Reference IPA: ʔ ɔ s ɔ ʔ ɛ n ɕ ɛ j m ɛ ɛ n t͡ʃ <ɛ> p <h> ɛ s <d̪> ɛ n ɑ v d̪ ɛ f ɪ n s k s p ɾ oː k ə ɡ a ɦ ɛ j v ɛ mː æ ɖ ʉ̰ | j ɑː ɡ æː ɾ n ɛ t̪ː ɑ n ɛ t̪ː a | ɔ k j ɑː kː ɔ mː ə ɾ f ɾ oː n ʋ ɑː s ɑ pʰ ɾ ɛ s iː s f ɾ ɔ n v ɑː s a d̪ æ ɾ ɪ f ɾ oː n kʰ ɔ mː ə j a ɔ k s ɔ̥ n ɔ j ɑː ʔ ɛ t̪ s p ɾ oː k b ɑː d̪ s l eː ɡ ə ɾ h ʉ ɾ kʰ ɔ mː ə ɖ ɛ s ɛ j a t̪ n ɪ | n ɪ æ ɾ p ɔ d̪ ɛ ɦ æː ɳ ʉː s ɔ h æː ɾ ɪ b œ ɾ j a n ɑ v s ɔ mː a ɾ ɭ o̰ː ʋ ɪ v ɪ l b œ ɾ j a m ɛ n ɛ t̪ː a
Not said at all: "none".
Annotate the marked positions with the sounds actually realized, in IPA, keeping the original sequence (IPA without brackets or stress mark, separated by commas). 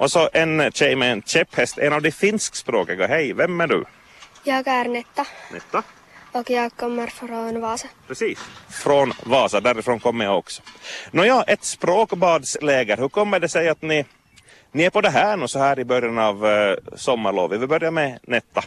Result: ɛ, h, t̪